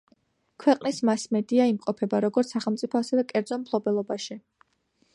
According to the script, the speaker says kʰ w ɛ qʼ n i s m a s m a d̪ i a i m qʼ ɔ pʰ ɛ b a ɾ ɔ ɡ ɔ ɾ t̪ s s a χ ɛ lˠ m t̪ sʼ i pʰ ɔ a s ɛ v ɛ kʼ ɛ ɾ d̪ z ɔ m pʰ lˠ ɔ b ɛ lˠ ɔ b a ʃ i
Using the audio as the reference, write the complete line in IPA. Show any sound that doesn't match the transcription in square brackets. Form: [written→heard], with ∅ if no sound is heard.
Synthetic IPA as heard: kʰ w ɛ qʼ n i s m a s m [a→ɛ] d̪ i a i m qʼ ɔ pʰ ɛ b a ɾ ɔ ɡ ɔ ɾ t̪ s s a χ ɛ lˠ m t̪ sʼ i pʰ ɔ a s ɛ v ɛ kʼ ɛ ɾ d̪ z ɔ m pʰ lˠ ɔ b ɛ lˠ ɔ b a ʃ i